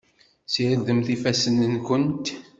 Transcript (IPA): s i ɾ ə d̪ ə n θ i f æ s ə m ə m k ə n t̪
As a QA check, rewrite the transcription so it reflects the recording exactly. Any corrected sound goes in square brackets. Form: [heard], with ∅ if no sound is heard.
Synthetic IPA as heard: s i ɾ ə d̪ ə [m] θ i f æ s ə [n] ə [n] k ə n t̪